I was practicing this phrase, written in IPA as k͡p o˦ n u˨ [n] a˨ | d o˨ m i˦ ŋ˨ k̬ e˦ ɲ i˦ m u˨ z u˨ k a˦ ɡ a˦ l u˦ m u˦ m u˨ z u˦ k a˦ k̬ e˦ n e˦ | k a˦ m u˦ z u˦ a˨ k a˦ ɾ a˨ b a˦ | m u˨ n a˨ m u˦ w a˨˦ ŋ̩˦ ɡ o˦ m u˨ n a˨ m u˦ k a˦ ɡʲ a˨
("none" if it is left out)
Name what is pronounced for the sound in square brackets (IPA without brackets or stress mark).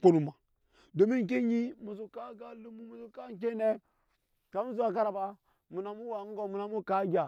m